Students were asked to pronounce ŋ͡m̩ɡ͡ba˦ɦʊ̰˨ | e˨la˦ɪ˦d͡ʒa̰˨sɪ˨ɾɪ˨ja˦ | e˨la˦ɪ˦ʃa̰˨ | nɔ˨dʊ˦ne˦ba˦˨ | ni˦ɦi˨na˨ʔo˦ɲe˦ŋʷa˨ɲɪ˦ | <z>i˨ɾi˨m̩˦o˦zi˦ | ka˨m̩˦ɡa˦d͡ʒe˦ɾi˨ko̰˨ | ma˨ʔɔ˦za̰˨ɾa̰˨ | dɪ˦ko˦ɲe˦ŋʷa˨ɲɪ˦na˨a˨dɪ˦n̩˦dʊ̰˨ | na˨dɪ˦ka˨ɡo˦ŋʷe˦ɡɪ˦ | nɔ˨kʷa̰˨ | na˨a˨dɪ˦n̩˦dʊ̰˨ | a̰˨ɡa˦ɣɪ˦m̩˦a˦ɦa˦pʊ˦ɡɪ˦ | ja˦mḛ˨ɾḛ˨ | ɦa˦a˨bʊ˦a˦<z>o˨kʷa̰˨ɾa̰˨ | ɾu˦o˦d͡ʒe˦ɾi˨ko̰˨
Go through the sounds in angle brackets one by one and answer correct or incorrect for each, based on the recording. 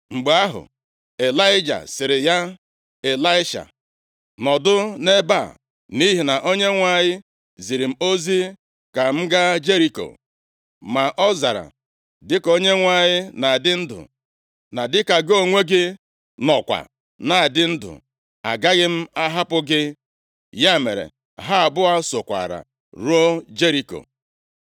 correct, incorrect: s

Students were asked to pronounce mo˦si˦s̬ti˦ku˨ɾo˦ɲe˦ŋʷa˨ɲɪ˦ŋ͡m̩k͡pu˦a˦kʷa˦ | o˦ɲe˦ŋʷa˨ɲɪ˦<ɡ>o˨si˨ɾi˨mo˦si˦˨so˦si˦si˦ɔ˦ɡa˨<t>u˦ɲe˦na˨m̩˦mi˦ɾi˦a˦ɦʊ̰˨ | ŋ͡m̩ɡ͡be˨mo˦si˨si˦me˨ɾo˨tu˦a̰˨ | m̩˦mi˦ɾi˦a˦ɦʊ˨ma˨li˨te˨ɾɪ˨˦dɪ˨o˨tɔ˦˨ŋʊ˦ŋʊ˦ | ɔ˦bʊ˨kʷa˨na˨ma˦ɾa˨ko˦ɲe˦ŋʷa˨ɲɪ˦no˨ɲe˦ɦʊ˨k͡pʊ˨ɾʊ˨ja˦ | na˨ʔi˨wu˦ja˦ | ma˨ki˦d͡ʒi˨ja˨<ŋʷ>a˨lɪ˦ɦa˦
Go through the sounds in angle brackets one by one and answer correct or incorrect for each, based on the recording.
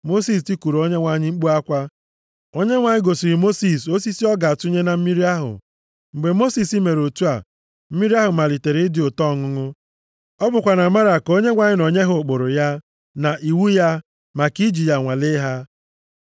correct, correct, correct

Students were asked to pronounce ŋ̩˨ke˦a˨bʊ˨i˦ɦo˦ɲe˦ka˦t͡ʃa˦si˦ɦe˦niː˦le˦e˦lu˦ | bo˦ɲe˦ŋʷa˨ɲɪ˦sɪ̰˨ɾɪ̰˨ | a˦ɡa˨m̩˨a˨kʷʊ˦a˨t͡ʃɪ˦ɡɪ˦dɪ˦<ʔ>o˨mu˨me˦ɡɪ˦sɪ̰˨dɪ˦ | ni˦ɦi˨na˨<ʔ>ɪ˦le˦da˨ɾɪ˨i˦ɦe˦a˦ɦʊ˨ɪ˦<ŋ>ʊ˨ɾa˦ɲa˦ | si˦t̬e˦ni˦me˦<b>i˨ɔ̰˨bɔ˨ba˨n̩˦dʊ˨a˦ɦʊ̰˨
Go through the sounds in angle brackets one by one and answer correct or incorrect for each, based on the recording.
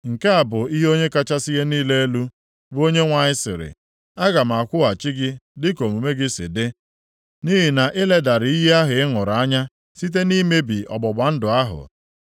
incorrect: k, correct, correct, correct

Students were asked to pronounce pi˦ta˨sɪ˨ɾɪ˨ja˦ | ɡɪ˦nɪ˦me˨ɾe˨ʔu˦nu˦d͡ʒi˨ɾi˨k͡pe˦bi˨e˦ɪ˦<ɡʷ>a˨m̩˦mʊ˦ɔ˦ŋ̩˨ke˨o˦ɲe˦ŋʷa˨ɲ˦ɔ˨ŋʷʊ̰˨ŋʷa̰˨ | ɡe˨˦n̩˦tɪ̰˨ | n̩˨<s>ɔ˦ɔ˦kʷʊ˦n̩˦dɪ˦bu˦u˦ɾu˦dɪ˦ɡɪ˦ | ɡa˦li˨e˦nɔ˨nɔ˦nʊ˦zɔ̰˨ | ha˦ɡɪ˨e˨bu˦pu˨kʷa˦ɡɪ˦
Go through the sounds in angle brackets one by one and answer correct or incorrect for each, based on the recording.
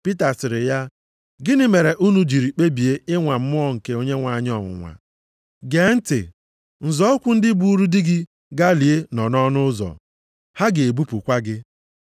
incorrect: ŋʷ, incorrect: z

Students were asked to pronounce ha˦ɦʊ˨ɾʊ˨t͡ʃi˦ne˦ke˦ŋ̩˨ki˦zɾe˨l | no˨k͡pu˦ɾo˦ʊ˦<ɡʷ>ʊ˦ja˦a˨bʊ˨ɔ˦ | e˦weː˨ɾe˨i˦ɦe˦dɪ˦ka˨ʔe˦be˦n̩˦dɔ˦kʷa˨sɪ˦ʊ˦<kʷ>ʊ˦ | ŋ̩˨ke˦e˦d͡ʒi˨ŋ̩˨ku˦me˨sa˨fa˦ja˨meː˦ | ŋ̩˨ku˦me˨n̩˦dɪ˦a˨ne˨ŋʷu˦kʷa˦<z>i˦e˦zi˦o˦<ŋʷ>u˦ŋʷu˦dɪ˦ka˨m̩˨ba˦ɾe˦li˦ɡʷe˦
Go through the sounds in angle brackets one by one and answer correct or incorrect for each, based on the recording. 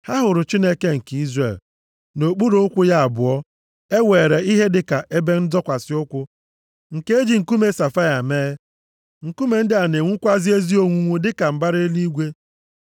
incorrect: kʷ, correct, correct, correct

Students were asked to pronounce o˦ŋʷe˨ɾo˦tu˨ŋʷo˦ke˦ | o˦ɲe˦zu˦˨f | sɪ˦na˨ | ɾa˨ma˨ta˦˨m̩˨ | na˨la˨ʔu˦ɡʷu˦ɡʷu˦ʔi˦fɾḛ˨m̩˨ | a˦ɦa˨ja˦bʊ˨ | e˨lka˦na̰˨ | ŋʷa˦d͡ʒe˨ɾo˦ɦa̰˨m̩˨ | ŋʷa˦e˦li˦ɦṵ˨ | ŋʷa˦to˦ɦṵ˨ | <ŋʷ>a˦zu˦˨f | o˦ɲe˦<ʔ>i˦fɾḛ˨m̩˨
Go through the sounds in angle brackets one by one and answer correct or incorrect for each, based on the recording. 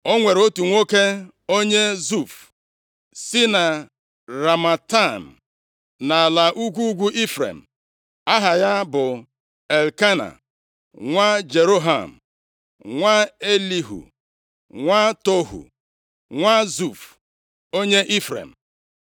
correct, correct

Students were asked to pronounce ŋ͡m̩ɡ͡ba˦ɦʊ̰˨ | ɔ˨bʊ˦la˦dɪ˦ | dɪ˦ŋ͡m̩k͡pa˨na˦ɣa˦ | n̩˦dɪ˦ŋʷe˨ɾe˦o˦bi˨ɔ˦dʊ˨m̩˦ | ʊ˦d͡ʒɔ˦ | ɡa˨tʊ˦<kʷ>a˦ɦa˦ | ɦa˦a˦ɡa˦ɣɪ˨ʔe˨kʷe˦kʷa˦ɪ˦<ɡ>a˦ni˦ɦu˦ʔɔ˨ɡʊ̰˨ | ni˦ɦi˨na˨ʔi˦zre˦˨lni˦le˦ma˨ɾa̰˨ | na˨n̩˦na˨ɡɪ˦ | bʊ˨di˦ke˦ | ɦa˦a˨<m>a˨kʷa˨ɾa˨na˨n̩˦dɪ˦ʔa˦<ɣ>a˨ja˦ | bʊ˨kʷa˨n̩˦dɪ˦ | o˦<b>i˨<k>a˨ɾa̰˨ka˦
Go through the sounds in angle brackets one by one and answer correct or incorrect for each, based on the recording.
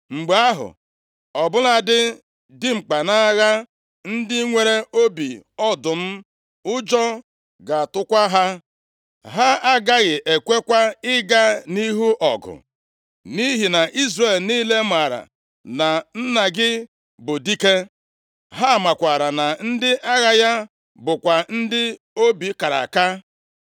correct, correct, correct, correct, correct, correct

